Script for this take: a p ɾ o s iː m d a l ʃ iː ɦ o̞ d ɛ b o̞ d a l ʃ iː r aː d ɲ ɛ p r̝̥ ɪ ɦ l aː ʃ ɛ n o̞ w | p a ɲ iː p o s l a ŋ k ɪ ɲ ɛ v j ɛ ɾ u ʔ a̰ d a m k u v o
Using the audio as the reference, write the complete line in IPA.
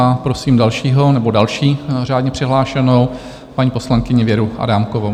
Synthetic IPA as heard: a p ɾ o s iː m d a l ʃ iː ɦ o̞ n ɛ b o̞ d a l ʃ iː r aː d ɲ ɛ p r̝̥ ɪ ɦ l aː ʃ ɛ n o̞ w | p a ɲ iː p o s l a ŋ k ɪ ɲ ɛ v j ɛ ɾ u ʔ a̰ d a m k o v o